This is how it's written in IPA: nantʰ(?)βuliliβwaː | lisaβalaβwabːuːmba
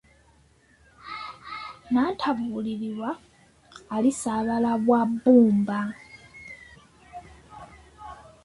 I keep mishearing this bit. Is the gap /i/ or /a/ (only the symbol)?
a